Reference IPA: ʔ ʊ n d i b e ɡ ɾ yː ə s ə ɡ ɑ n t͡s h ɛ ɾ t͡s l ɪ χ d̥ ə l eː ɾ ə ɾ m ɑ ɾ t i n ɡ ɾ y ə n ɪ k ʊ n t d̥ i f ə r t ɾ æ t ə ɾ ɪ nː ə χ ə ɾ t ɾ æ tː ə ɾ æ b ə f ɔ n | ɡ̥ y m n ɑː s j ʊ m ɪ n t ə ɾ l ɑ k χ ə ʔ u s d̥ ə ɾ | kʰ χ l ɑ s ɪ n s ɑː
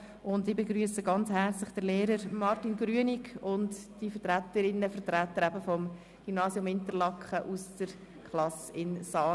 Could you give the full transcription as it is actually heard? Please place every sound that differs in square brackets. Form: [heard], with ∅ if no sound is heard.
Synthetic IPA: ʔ ʊ n d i b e ɡ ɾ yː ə s ə ɡ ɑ n t͡s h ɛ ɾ t͡s l ɪ χ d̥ ə l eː ɾ ə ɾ m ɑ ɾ t i n ɡ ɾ y ə n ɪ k ʊ n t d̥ i f ə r t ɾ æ t ə ɾ ɪ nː ə [f] ə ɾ t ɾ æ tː ə ɾ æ b ə f ɔ [m] | ɡ̥ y m n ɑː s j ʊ m ɪ n t ə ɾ l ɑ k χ ə ʔ u s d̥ ə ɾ | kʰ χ l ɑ s ɪ n s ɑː